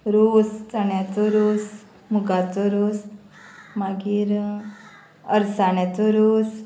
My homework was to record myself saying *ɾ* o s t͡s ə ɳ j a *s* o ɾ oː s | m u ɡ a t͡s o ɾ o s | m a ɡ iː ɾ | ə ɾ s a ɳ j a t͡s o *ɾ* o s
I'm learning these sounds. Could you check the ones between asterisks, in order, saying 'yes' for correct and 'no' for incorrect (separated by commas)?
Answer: yes, no, yes